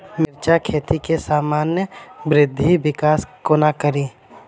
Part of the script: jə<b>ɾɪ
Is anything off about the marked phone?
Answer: no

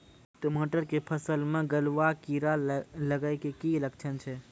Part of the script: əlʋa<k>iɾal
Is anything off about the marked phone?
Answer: no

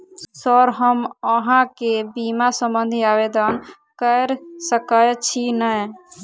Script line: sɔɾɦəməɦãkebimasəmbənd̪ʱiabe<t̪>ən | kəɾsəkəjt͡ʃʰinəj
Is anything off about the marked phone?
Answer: yes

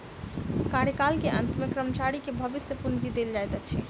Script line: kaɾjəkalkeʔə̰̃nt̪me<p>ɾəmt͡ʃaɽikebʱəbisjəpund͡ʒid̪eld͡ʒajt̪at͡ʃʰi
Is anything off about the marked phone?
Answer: yes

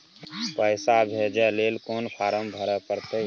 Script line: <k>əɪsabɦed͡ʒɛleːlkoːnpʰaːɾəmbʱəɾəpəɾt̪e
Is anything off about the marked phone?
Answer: yes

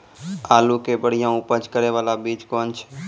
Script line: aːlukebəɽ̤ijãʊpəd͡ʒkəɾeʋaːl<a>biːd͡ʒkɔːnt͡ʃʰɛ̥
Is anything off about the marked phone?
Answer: no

